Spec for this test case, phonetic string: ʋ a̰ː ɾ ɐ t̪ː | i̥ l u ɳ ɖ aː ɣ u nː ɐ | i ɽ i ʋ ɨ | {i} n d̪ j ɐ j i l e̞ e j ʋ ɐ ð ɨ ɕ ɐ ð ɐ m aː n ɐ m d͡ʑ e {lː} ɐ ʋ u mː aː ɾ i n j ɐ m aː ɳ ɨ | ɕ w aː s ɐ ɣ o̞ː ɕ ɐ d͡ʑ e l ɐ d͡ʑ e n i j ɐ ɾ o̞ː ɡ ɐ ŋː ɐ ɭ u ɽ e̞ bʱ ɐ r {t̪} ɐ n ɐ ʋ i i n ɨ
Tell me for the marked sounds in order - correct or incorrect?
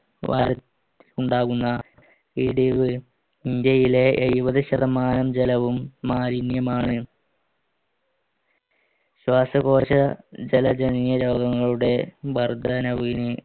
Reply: correct, incorrect: l, incorrect: d̪

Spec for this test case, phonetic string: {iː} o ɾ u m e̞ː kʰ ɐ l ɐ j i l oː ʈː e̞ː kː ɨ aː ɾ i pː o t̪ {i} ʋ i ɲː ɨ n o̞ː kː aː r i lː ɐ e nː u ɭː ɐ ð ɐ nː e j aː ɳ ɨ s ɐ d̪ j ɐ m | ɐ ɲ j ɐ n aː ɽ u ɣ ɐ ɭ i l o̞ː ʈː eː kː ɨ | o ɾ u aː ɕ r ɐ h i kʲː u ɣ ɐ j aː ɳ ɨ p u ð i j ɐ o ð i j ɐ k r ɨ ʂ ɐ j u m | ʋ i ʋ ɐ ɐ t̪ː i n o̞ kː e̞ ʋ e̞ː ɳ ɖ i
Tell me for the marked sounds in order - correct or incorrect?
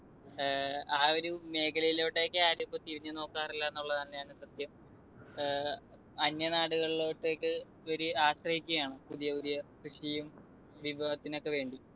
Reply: incorrect: aː, correct

